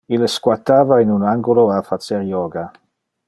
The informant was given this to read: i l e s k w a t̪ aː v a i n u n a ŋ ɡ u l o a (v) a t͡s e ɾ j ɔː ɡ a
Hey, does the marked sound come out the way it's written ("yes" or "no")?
no